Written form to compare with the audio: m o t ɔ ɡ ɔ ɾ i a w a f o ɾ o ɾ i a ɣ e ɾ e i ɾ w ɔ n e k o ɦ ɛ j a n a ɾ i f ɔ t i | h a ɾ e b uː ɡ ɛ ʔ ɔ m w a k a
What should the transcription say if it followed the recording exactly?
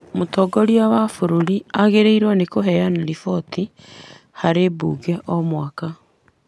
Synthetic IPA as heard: m o t ɔ ɡ ɔ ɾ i a w a f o ɾ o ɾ i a ɣ e ɾ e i ɾ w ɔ n e k o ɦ ɛ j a n a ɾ i f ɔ t i | h a ɾ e b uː ɡ ɛ ʔ ɔ m w a k a